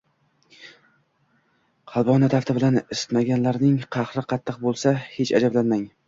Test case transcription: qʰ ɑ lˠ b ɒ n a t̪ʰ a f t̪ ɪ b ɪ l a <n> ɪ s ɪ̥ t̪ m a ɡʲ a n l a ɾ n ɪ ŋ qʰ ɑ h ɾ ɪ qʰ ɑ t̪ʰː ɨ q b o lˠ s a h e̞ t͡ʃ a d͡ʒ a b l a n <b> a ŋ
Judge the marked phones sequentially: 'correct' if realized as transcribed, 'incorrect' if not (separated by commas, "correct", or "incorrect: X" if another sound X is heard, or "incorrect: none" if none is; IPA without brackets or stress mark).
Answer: correct, incorrect: m